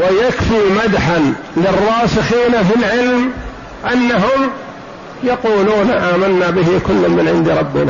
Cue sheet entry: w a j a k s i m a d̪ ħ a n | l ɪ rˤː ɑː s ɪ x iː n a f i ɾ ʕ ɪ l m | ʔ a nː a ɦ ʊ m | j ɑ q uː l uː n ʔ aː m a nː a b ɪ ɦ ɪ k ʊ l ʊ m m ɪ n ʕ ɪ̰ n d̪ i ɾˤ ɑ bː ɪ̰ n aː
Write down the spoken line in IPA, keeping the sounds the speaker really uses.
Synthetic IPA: w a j a k f i m a d̪ ħ a n | l ɪ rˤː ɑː s ɪ x iː n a f i l ʕ ɪ l m | ʔ a nː a ɦ ʊ m | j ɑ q uː l uː n ʔ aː m a nː a b ɪ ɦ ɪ k ʊ lː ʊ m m ɪ n ʕ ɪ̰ n d̪ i ɾˤ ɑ bː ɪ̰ n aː